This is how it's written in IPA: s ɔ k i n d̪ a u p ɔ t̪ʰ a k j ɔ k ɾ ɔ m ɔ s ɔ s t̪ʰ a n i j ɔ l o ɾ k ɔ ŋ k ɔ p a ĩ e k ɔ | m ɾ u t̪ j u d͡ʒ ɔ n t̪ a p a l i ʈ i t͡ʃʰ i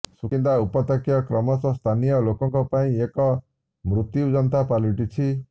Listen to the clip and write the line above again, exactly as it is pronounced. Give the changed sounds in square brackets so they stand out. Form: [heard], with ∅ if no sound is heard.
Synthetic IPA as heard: s [u] k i n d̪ a u p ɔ [t̪] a k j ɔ k ɾ ɔ m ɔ s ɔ s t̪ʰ a n i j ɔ l o [∅] k ɔ ŋ k ɔ p a ĩ e k ɔ | m ɾ u t̪ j u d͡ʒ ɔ n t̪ a p a l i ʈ i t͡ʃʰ i